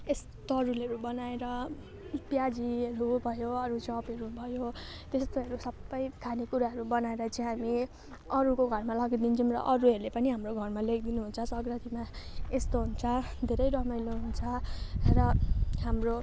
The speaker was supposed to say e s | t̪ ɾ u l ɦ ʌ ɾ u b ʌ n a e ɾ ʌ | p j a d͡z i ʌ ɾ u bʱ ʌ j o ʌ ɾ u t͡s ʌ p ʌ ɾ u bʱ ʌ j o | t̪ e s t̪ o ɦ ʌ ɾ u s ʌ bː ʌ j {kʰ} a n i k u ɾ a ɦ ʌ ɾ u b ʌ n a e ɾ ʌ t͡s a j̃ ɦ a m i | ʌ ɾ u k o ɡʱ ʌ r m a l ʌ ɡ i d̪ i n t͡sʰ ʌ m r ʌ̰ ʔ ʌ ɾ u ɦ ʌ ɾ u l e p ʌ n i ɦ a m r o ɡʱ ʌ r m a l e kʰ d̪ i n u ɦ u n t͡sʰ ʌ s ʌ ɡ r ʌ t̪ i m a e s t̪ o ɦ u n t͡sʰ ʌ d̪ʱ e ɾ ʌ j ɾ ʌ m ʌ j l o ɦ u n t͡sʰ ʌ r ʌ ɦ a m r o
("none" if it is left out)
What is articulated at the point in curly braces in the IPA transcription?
kʰ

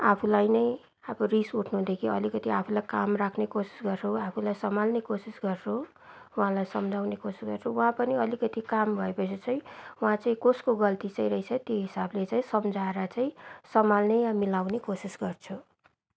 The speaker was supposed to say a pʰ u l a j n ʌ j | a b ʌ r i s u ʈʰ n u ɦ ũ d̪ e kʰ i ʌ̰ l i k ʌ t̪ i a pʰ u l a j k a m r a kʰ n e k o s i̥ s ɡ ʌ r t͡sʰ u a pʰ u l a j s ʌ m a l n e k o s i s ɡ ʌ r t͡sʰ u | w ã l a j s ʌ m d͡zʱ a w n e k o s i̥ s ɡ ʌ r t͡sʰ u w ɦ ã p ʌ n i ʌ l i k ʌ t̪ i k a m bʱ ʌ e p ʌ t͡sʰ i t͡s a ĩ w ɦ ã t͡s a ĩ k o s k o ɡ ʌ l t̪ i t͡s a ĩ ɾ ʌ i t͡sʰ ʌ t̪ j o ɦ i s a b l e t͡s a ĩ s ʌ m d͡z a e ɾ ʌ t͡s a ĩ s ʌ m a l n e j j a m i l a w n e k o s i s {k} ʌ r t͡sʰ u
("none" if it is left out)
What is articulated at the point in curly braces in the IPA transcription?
ɡ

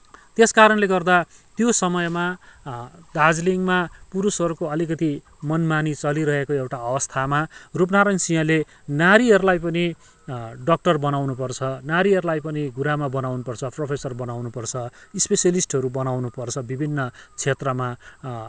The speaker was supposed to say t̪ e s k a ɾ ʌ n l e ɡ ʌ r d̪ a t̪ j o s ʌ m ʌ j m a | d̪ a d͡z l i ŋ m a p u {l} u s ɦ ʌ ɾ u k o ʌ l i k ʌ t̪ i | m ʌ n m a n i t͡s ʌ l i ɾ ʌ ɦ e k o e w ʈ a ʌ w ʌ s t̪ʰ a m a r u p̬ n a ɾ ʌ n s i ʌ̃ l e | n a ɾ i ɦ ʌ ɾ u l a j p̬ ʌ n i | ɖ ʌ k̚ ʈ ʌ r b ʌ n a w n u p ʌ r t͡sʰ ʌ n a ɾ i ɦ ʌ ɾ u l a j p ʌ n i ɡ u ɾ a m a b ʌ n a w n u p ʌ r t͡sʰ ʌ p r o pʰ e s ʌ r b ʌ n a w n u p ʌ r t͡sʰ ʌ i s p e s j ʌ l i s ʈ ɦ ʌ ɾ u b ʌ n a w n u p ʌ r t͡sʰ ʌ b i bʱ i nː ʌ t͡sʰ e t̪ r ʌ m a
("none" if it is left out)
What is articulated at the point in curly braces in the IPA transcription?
ɾ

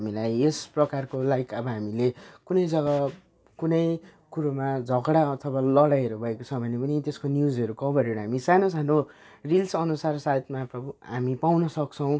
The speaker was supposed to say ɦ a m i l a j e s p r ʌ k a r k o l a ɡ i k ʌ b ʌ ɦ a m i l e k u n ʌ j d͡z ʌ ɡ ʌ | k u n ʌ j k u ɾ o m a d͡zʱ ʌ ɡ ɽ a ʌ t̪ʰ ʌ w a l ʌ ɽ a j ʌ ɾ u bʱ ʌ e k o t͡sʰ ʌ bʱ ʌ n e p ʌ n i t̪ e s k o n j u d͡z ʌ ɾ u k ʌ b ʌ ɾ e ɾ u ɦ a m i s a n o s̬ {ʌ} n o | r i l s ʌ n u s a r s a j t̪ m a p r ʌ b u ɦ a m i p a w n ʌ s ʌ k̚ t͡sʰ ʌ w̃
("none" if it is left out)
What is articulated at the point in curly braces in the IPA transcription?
a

